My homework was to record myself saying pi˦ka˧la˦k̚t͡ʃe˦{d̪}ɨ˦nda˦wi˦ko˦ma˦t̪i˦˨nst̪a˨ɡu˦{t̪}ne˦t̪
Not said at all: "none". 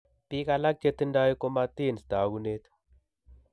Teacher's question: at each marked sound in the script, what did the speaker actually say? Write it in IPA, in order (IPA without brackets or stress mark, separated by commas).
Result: t̪, none